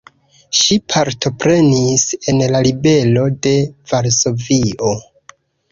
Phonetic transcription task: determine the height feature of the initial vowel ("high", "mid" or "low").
high